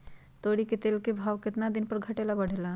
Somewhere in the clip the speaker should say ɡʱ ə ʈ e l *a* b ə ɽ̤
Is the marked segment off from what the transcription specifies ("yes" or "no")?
no